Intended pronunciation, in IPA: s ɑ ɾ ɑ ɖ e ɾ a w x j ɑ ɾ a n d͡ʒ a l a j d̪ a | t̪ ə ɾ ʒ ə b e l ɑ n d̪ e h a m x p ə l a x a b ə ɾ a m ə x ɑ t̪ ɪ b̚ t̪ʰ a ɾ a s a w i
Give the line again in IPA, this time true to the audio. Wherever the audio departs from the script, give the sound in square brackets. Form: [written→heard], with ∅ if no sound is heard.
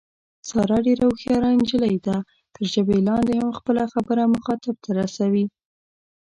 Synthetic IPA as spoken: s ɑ ɾ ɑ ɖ e ɾ a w x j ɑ ɾ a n d͡ʒ [a→ə] l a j d̪ a | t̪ ə ɾ ʒ ə b e l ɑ n d̪ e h a m x p ə l a x a b ə ɾ a m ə x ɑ t̪ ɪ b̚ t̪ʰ a ɾ a s a w i